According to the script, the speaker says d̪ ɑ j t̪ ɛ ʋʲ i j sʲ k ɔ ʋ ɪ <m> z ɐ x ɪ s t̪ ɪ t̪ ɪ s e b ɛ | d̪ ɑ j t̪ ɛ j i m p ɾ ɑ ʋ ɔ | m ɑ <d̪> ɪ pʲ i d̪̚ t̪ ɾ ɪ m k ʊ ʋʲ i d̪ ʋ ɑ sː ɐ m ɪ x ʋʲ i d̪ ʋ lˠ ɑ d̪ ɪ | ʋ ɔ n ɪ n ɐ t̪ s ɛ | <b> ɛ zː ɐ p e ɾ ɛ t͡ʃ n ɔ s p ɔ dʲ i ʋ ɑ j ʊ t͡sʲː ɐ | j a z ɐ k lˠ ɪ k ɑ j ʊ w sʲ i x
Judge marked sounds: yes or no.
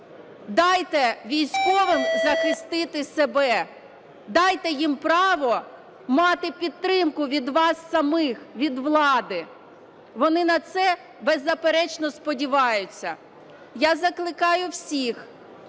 yes, no, yes

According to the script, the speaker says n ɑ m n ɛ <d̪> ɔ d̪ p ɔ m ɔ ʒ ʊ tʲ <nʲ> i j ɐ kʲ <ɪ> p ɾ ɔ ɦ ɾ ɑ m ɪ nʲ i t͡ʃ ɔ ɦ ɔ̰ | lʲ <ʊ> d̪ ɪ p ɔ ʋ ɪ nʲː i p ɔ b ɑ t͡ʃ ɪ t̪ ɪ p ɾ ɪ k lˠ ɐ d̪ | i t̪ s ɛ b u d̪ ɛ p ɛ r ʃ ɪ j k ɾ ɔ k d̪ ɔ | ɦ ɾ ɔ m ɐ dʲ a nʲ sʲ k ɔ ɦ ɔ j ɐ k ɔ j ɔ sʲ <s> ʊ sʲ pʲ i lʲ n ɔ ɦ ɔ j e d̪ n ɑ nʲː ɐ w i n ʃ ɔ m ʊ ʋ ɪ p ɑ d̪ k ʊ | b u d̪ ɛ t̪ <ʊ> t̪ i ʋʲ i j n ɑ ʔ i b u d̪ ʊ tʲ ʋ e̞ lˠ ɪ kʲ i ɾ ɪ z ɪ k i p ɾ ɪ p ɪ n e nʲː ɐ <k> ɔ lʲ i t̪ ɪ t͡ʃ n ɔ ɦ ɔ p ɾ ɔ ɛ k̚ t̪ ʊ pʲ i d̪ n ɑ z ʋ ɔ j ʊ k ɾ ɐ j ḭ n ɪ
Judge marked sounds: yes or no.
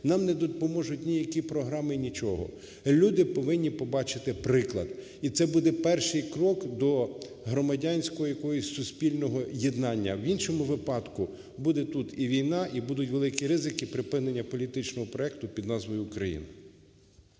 yes, yes, no, no, yes, no, no

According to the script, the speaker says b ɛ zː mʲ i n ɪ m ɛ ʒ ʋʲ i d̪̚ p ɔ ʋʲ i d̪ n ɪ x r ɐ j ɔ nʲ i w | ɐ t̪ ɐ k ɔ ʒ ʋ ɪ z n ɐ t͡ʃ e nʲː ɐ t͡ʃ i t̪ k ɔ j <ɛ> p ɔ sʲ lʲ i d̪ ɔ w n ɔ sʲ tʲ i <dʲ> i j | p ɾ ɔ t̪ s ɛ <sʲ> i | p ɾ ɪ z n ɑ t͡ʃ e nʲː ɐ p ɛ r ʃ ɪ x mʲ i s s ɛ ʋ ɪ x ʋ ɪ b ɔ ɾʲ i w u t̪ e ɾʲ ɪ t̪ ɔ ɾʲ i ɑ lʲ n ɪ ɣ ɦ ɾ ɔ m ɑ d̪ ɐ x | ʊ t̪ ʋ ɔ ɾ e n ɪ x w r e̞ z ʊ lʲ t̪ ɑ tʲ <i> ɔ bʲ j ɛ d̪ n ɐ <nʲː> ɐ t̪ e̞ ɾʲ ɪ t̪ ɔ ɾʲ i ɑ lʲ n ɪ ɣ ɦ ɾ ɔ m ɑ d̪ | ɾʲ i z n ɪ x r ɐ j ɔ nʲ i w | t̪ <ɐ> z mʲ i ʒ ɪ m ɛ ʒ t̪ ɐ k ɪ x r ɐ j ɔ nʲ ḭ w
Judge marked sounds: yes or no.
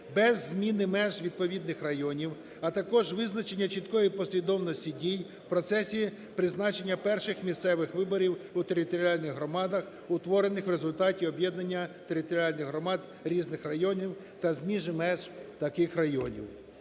no, yes, yes, yes, yes, yes

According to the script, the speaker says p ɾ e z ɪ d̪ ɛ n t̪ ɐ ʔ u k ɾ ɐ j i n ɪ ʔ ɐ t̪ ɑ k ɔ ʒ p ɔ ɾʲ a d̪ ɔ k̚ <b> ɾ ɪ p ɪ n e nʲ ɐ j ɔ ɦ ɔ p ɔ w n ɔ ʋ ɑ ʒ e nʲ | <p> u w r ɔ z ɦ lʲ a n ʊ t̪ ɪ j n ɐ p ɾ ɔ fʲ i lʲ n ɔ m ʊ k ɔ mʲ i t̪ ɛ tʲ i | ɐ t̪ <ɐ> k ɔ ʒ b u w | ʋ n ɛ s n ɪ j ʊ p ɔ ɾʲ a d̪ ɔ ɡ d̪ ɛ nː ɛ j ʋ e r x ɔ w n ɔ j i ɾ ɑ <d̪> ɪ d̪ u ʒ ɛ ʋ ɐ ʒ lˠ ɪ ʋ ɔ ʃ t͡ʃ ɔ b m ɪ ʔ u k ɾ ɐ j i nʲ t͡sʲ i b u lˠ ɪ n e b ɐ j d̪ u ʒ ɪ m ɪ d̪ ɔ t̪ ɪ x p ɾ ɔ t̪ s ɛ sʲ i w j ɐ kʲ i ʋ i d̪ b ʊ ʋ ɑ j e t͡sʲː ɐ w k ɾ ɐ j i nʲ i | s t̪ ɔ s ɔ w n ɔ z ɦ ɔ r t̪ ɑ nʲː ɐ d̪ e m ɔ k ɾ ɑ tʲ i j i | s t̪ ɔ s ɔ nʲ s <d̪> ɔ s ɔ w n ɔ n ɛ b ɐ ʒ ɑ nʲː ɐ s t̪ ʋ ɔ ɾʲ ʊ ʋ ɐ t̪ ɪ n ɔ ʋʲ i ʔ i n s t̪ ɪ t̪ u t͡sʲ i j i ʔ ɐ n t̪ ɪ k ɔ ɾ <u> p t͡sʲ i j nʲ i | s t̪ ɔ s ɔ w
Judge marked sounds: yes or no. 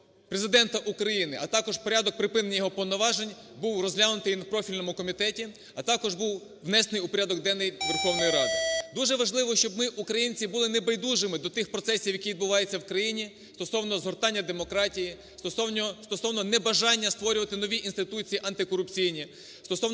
no, no, no, yes, no, no

